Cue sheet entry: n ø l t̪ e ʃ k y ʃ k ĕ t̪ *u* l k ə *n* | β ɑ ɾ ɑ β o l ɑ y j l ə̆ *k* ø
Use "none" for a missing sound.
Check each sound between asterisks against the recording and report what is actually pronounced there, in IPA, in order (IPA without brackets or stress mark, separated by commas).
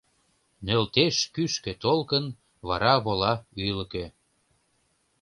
o, n, k